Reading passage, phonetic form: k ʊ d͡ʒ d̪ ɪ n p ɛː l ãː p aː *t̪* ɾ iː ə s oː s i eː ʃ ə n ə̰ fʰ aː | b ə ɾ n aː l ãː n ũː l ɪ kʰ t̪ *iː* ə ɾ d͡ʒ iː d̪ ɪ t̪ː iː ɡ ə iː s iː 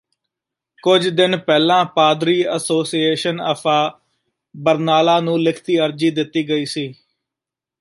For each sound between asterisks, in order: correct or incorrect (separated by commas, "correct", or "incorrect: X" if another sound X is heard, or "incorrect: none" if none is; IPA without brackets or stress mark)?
incorrect: d̪, correct